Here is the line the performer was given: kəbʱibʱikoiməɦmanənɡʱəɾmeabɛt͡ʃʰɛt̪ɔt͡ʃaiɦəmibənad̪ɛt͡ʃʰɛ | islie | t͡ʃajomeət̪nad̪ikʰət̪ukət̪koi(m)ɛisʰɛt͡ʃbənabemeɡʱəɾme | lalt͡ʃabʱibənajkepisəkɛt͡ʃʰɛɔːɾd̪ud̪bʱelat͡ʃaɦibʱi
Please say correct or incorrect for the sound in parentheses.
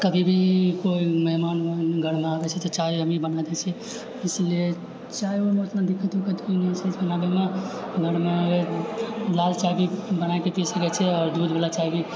incorrect